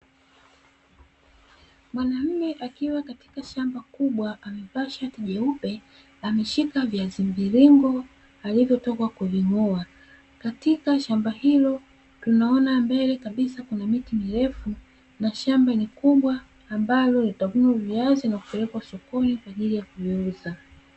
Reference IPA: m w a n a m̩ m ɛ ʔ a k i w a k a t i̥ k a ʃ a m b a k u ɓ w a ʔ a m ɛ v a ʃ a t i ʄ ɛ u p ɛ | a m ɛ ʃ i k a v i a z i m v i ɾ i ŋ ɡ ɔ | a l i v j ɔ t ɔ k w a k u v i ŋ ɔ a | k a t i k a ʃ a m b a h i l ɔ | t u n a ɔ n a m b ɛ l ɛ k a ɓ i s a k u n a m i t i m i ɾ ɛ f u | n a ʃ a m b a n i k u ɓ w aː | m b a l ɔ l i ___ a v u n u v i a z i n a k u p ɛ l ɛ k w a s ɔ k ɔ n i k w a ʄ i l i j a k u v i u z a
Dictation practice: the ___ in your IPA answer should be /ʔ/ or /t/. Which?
t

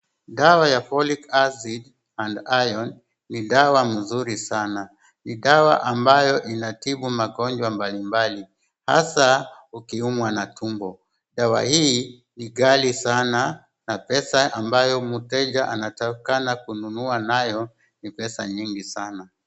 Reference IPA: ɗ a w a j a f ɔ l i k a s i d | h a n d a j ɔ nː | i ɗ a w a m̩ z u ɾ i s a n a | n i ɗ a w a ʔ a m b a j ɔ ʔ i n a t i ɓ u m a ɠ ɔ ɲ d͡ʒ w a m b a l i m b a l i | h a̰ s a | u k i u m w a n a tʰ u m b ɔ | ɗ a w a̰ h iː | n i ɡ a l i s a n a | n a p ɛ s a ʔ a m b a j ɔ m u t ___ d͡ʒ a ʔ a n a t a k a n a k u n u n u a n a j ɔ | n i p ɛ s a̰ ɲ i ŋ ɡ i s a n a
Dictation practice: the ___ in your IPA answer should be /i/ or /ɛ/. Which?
ɛ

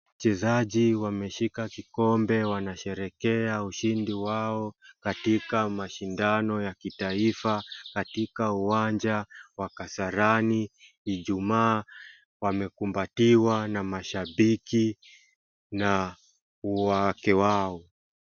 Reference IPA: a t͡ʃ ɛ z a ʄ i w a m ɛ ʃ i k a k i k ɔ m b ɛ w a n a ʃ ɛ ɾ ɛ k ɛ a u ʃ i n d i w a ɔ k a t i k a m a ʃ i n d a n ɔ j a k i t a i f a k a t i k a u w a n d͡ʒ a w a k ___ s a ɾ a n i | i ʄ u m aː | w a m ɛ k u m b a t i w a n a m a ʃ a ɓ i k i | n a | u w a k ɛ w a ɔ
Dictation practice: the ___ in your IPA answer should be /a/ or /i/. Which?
a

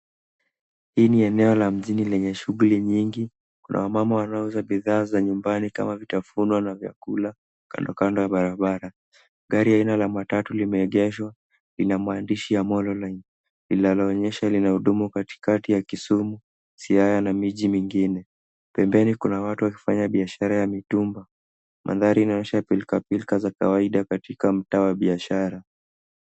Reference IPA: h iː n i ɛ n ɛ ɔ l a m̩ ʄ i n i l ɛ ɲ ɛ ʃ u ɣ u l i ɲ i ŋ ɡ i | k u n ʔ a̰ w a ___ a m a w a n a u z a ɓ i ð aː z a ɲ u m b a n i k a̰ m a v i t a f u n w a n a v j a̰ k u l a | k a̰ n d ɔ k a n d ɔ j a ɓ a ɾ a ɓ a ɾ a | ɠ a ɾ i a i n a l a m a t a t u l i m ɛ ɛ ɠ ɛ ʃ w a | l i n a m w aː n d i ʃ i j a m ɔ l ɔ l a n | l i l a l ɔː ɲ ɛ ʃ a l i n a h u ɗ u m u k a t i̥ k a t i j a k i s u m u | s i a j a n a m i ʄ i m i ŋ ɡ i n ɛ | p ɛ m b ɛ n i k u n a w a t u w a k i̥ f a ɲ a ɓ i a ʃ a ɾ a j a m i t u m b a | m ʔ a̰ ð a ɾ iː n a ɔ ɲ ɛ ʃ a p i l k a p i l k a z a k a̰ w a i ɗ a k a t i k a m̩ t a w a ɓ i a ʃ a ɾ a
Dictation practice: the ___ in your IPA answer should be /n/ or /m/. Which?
m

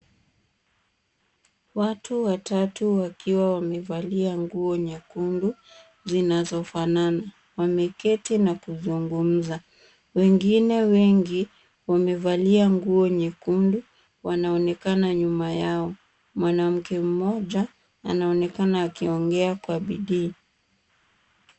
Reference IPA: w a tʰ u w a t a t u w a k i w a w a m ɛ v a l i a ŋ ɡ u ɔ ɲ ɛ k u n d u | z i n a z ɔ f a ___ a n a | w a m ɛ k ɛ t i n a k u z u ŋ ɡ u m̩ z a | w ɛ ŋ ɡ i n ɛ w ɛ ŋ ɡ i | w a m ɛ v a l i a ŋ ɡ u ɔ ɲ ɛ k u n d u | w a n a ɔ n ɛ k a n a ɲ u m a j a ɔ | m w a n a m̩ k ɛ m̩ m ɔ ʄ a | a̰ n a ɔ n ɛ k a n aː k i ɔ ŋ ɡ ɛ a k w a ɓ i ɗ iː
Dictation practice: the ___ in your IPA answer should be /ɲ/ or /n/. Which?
n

